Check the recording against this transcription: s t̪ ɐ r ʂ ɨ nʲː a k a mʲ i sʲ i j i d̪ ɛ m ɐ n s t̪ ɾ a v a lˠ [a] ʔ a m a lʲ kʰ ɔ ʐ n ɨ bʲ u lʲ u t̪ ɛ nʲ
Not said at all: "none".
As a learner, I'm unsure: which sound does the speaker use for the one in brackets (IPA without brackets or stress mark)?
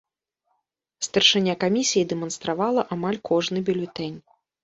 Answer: ɐ